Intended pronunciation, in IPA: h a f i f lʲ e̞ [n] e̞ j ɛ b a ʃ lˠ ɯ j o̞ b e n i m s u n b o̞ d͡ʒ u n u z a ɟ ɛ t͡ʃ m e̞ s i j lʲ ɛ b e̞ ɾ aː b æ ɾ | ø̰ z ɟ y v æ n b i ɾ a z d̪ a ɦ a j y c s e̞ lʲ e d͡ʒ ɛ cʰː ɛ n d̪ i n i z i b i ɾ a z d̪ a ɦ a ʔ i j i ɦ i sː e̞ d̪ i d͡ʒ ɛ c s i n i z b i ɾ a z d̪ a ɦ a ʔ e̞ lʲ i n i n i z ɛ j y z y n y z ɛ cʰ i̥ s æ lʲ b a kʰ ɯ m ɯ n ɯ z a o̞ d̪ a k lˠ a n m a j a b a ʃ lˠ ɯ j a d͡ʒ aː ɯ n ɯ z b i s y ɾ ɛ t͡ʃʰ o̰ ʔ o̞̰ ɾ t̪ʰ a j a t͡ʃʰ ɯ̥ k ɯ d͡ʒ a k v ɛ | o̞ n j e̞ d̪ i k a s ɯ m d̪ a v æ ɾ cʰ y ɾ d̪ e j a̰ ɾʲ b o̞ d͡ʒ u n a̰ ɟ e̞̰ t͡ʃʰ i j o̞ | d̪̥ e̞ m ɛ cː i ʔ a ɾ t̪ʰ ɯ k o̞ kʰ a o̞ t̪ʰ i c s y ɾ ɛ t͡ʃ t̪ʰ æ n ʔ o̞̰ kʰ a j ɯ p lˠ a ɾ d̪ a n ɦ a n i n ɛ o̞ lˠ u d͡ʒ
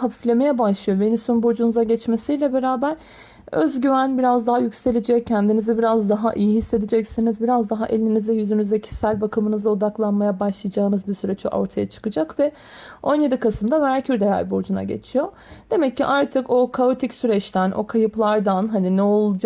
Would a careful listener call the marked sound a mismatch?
yes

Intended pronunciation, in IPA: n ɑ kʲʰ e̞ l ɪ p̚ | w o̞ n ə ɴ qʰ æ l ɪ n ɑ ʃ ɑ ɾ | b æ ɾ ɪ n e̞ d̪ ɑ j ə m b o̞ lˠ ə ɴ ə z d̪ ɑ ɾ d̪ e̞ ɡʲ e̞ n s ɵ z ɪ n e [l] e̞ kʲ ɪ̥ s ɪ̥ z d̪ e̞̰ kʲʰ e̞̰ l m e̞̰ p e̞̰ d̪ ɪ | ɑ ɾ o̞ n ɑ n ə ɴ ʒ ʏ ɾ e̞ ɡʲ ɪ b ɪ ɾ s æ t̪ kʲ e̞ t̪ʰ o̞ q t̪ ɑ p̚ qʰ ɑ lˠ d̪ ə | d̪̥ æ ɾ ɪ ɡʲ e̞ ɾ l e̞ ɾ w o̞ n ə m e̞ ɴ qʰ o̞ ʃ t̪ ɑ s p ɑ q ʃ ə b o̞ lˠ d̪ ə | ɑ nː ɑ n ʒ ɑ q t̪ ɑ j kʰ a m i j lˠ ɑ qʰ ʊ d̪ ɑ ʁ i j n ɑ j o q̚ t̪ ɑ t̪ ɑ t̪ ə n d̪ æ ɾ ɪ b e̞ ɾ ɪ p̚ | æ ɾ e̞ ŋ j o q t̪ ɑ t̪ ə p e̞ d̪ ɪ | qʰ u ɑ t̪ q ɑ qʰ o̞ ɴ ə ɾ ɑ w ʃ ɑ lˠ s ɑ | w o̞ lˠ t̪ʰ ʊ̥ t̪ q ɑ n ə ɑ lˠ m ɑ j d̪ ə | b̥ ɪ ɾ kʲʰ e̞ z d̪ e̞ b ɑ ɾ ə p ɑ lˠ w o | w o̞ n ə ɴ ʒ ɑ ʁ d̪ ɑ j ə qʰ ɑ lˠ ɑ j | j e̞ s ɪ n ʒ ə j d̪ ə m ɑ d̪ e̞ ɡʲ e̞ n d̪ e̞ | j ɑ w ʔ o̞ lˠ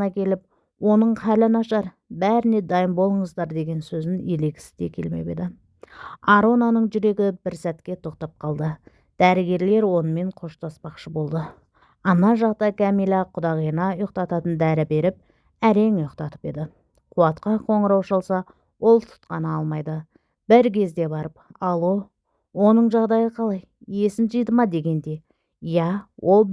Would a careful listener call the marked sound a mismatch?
no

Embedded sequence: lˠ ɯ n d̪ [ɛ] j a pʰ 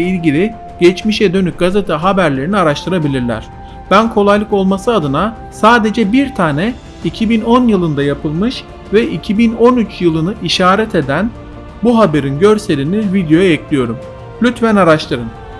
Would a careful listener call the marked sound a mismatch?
yes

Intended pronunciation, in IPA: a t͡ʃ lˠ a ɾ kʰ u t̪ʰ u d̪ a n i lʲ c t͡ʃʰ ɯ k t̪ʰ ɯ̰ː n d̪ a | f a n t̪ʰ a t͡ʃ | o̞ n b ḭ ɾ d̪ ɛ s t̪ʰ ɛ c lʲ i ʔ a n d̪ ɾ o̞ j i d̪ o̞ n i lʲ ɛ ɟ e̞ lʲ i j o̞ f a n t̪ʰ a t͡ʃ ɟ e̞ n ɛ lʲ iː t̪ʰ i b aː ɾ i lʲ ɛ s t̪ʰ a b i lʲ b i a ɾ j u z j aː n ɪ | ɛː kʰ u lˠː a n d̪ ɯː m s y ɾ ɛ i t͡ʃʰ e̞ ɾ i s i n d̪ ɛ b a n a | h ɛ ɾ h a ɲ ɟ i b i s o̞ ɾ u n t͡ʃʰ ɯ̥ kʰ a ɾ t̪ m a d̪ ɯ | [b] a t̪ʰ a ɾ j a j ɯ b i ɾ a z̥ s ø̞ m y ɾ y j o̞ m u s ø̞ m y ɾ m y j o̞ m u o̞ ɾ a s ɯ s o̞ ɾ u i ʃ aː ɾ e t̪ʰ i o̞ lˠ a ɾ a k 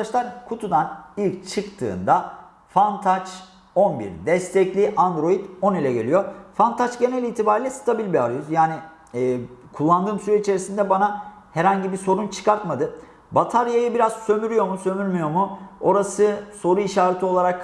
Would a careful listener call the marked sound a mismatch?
no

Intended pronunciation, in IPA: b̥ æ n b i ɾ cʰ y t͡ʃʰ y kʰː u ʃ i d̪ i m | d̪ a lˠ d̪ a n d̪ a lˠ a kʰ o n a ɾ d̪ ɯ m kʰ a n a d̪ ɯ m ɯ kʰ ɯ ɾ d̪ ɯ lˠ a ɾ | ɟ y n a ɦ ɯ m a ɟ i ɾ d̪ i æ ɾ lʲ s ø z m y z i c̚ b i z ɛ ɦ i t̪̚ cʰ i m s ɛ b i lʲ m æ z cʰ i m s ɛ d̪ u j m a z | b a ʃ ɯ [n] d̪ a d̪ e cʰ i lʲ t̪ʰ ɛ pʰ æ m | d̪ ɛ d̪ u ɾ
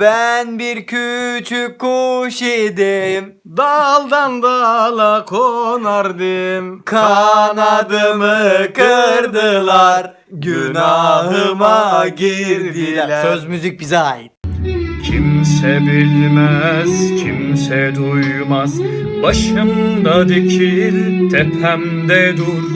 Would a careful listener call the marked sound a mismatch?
yes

